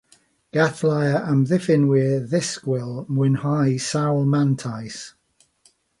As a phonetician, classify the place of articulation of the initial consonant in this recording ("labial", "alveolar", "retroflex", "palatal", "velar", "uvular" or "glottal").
velar